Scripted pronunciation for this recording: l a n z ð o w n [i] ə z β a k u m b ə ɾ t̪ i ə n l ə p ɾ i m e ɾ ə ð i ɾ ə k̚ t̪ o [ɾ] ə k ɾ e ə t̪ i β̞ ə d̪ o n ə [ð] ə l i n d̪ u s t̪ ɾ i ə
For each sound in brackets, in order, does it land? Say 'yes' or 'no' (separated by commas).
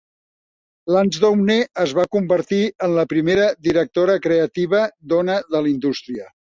no, yes, yes